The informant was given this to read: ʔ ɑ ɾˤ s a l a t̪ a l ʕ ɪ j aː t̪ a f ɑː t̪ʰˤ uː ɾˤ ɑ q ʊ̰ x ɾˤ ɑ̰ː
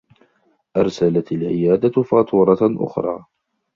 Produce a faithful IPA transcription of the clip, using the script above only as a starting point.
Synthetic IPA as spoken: ʔ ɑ ɾˤ s a l a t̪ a l ʕ ɪ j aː d̪ a f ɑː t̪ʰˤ uː ɾˤ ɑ ʔ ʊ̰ x ɾˤ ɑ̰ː